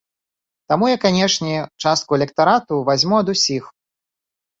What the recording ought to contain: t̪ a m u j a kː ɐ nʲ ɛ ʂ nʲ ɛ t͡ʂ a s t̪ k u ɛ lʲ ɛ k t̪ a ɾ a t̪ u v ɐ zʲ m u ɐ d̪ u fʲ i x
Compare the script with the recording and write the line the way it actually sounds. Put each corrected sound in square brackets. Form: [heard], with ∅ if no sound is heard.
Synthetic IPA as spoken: t̪ a m u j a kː [a] nʲ ɛ ʂ nʲ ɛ t͡ʂ a s t̪ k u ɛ lʲ ɛ k t̪ a ɾ a t̪ u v [a] zʲ m u ɐ d̪ u [sʲ] i x